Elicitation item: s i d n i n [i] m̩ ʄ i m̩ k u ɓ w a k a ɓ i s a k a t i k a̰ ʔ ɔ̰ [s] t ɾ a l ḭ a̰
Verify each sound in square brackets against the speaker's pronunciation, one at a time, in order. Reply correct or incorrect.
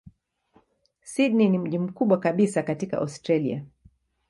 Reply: correct, correct

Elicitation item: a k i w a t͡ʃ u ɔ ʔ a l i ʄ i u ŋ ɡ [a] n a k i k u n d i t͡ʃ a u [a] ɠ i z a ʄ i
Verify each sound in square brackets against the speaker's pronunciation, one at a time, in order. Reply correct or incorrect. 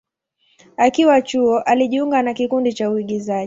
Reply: correct, incorrect: i

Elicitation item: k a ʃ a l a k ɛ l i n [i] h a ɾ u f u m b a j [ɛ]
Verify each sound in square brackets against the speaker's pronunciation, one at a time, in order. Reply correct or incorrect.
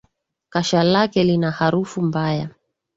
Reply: incorrect: a, incorrect: a

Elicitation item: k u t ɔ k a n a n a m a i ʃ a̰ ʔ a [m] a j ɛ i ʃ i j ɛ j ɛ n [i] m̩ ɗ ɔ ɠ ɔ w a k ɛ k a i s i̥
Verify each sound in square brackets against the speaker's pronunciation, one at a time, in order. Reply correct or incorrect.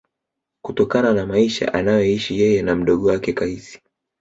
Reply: incorrect: n, incorrect: a

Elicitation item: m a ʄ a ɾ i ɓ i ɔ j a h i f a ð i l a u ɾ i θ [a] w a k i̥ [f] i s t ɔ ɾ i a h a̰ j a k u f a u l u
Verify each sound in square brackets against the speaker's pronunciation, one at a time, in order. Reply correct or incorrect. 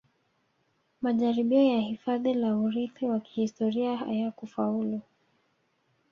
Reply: incorrect: i, incorrect: h

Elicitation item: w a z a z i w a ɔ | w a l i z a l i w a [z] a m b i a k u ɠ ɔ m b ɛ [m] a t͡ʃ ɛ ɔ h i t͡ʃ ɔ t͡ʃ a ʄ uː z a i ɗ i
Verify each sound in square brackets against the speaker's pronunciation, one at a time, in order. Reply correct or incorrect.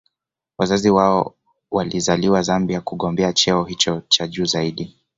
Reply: correct, incorrect: none

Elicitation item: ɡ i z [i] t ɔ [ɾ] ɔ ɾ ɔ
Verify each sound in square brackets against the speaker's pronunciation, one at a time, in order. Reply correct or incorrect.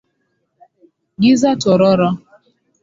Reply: incorrect: a, correct

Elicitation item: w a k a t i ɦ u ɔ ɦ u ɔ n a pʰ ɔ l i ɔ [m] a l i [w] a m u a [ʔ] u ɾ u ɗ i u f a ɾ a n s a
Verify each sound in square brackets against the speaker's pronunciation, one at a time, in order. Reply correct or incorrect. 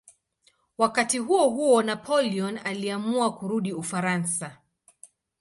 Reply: incorrect: n, incorrect: none, incorrect: k

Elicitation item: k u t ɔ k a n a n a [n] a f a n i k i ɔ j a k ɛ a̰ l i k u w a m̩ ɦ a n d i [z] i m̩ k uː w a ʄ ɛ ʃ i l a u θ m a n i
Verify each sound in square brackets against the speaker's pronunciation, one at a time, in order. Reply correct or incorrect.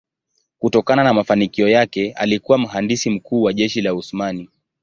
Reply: incorrect: m, incorrect: s

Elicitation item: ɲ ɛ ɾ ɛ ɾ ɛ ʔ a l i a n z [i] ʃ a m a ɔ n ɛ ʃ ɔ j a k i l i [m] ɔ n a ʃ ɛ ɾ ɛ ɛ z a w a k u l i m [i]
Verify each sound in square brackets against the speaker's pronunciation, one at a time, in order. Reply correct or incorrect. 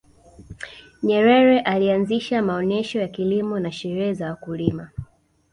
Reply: correct, correct, incorrect: a

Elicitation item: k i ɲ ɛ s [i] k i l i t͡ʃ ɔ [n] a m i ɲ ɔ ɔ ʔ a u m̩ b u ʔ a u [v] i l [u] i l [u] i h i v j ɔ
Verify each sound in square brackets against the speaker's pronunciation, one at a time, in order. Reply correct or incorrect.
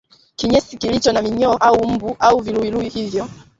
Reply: correct, correct, correct, correct, correct

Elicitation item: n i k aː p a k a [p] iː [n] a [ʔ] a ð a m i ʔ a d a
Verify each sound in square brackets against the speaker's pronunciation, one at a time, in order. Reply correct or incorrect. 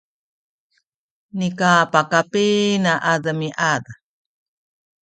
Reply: correct, correct, correct

